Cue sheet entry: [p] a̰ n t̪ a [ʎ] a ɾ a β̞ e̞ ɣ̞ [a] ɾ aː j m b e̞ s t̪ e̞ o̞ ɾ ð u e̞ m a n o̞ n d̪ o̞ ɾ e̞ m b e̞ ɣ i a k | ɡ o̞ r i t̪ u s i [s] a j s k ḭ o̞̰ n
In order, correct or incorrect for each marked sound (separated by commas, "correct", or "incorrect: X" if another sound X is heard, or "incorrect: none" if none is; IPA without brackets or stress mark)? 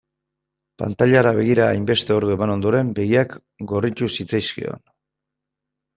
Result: correct, correct, incorrect: i, incorrect: t͡s